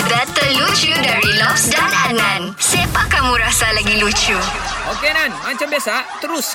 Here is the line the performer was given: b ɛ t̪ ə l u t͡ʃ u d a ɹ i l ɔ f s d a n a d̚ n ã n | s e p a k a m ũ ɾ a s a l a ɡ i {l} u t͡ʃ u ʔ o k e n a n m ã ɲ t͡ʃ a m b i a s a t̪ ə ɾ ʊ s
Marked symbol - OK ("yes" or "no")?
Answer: yes